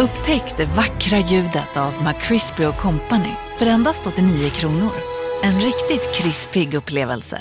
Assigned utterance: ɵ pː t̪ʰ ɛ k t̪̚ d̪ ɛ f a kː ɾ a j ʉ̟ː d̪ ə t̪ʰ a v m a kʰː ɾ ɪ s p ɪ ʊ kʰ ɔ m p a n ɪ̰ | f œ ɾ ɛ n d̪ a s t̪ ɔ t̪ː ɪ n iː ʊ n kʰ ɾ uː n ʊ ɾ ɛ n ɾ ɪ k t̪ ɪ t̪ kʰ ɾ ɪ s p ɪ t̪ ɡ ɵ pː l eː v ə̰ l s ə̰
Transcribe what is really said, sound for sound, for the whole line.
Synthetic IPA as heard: ɵ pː t̪ʰ ɛ k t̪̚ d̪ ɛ v a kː ɾ a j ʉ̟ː d̪ ə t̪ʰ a v m a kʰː ɾ ɪ s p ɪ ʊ kʰ ɔ m p a n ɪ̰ | f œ ɾ ɛ n d̪ a s t̪ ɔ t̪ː ɪ n iː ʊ kʰ ɾ uː n ʊ ɾ ɛ n ɾ ɪ k t̪ ɪ t̪ kʰ ɾ ɪ s p ɪ ɡ ɵ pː l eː v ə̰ l s ə̰